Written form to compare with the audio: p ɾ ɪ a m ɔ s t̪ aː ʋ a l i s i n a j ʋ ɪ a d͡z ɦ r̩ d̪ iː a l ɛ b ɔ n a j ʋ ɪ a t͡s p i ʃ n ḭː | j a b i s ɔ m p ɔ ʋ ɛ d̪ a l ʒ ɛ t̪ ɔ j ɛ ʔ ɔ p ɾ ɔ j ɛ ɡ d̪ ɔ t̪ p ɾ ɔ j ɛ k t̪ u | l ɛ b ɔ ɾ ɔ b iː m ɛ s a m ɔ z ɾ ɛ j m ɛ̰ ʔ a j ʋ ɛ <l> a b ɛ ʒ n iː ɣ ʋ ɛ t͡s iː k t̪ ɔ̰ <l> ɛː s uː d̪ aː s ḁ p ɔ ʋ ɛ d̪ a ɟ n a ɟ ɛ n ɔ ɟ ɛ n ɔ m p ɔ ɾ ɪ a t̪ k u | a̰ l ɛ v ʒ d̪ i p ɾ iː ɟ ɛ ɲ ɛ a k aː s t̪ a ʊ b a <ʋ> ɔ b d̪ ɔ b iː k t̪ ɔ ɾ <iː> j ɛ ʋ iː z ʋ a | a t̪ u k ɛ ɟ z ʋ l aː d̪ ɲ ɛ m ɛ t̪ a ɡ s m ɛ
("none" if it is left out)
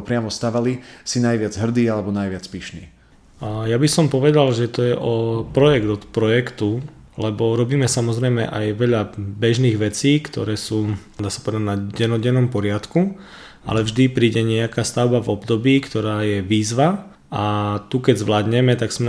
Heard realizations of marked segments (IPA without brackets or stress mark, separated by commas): ʎ, ɾ, v, aː